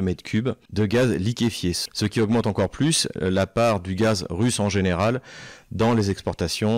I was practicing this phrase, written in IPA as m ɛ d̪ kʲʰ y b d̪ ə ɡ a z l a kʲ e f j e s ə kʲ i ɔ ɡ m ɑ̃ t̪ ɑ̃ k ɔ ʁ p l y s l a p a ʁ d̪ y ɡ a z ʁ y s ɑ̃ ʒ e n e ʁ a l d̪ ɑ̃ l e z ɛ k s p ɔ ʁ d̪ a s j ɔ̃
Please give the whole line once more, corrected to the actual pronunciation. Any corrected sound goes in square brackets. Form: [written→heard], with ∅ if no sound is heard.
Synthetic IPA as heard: m ɛ d̪ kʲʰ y b d̪ ə ɡ a z l [a→i] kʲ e f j e s ə kʲ i ɔ ɡ m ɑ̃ t̪ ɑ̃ k ɔ ʁ p l y s l a p a ʁ d̪ y ɡ a z ʁ y s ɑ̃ ʒ e n e ʁ a l d̪ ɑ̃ l e z ɛ k s p ɔ ʁ [d̪→t̪] a s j ɔ̃